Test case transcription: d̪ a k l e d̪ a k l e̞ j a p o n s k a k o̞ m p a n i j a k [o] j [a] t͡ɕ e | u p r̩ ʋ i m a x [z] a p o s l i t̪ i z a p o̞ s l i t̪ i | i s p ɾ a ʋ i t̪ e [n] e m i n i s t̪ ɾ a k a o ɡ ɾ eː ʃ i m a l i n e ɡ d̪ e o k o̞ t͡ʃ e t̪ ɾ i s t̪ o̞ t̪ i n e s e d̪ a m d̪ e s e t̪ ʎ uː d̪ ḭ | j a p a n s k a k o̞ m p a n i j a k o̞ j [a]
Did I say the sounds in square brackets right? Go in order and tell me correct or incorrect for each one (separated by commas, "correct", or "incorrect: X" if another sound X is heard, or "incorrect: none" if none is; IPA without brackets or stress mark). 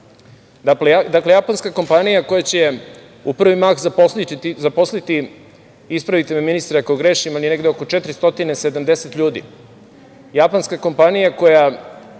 correct, correct, correct, incorrect: m, correct